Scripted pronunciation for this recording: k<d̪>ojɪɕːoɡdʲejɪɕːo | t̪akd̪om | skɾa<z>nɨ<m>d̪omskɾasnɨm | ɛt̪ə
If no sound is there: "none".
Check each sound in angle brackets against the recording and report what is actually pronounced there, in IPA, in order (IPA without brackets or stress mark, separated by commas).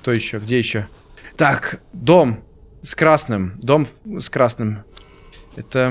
t̪, s, m